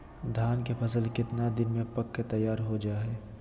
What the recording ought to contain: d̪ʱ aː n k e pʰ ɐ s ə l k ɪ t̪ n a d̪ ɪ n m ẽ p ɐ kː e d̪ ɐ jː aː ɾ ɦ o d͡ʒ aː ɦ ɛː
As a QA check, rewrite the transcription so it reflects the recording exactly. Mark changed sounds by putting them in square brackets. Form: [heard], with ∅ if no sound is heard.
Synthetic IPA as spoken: d̪ʱ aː n k e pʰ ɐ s ə l k ɪ t̪ n a d̪ ɪ n m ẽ p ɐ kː e [t̪] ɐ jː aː ɾ ɦ o d͡ʒ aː ɦ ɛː